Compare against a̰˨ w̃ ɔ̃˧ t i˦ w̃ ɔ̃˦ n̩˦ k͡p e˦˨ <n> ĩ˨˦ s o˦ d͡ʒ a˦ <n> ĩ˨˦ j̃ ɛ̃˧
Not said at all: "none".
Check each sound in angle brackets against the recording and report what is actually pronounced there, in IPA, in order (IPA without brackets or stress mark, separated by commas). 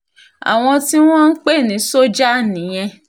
n, n